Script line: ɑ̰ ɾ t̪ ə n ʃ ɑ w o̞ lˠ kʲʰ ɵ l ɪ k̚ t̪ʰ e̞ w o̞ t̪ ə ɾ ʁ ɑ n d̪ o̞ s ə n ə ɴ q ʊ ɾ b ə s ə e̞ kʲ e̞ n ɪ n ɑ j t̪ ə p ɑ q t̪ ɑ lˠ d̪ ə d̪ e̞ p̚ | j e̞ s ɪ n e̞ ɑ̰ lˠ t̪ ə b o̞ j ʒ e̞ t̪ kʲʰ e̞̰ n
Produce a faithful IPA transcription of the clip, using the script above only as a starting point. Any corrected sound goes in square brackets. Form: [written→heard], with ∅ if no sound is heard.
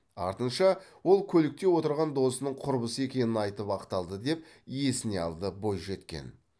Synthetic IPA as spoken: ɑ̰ ɾ t̪ ə n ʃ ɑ w o̞ lˠ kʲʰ ɵ l ɪ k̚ [t̪ʰ→t̪] e̞ w o̞ t̪ ə ɾ ʁ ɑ n d̪ o̞ s ə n ə ɴ [q→qʰ] ʊ ɾ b ə s ə e̞ kʲ e̞ n ɪ n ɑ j t̪ ə p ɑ q t̪ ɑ lˠ d̪ ə d̪ e̞ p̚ | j e̞ s ɪ n e̞ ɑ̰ lˠ [t̪→d̪] ə b o̞ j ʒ e̞ t̪ [kʲʰ→kʲ] e̞̰ n